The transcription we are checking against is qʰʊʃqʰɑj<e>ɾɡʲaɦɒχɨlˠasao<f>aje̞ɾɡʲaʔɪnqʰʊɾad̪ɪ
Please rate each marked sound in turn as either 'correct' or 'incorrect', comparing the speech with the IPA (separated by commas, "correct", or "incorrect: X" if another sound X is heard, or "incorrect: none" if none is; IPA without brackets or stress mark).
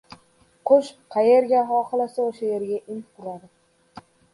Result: correct, incorrect: ʃ